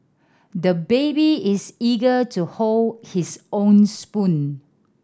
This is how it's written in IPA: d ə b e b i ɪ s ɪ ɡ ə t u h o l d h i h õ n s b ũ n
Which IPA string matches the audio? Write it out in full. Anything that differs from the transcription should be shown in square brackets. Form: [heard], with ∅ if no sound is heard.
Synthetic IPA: d ə b e b i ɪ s [i] ɡ ə t u h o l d h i [s] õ n s [p] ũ n